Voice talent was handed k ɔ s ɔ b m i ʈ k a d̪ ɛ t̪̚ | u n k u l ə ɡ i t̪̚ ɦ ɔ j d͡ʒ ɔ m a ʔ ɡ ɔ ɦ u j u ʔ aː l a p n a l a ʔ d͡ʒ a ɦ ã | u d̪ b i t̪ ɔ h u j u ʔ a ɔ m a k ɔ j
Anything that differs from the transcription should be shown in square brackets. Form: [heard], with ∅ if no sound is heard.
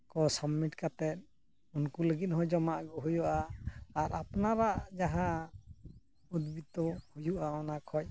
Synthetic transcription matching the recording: k ɔ s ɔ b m i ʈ k a [t̪] ɛ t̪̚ | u n k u l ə ɡ i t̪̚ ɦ ɔ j d͡ʒ ɔ m a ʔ ɡ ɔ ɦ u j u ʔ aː [ɾ] a p n a [ɾ] a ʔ d͡ʒ a ɦ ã | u d̪ b i t̪ ɔ h u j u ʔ a ɔ [n] a [kʰ] ɔ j